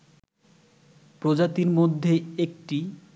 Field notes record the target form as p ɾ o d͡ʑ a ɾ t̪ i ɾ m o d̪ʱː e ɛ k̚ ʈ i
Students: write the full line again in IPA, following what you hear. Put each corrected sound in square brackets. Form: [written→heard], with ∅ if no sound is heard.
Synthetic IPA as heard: p ɾ o d͡ʑ a [ɾ→∅] t̪ i ɾ m o d̪ʱː e [ɛ→e] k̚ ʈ i